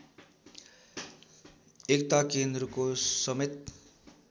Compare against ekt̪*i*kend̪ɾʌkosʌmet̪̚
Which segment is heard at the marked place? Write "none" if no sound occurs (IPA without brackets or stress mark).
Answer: a